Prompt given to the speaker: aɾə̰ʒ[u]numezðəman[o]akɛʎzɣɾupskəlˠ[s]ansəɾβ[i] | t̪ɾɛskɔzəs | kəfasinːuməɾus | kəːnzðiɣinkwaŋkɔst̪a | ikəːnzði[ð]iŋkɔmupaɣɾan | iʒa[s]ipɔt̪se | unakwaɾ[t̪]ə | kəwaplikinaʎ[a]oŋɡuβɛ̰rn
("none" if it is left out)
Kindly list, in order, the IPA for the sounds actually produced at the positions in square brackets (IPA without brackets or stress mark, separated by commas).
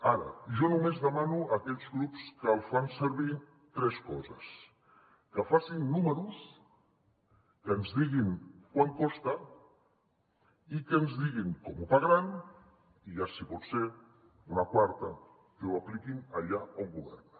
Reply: ɔ, u, f, i, ɣ, s, t̪, a